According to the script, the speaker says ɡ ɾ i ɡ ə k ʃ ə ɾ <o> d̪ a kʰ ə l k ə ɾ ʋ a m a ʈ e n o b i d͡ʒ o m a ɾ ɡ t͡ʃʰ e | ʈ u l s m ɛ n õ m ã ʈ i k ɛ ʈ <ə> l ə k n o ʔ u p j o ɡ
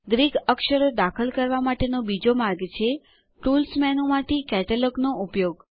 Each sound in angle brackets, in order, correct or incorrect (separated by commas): correct, correct